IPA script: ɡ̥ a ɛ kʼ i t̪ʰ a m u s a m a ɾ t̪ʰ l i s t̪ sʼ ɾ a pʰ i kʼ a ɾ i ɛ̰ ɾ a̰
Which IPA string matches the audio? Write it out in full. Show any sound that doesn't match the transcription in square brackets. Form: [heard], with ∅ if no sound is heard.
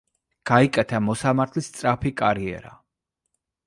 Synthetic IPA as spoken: ɡ̥ a [i] kʼ [ɛ] t̪ʰ a m [ɔ] s a m a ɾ t̪ʰ l i s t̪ sʼ ɾ a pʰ i kʼ a ɾ i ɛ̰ ɾ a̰